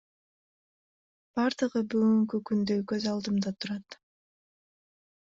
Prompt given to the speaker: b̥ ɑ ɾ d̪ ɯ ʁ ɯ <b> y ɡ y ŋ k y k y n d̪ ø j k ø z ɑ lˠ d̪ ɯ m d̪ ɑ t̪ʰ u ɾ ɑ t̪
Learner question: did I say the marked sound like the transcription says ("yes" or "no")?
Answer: yes